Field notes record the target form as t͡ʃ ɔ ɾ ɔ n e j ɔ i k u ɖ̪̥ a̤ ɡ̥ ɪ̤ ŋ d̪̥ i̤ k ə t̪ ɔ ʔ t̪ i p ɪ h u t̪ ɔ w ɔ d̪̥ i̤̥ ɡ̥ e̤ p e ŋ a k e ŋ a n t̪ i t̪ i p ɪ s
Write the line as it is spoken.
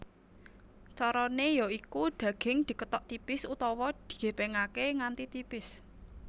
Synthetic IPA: t͡ʃ ɔ ɾ ɔ n e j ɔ i k u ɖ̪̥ a̤ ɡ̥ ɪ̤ ŋ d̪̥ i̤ k ə t̪ ɔ ʔ t̪ i p ɪ s u t̪ ɔ w ɔ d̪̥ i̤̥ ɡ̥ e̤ p e ŋ a k e ŋ a n t̪ i t̪ i p ɪ s